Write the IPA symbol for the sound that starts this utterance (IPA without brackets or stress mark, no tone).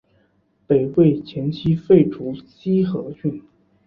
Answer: p